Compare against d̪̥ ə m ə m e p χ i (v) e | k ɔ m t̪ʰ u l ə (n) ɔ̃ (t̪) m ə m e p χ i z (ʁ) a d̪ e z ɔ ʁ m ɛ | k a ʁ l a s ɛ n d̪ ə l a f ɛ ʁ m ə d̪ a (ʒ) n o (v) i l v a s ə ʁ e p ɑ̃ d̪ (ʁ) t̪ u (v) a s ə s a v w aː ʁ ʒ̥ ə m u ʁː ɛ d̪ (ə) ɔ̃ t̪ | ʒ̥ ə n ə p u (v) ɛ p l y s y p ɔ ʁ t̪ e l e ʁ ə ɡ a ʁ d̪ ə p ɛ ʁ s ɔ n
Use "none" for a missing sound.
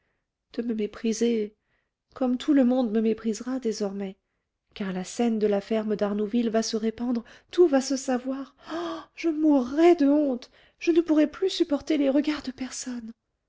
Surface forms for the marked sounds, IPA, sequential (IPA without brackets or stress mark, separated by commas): z, m, d̪, ʁ, ʁ, v, ʁ, v, ə, ʁ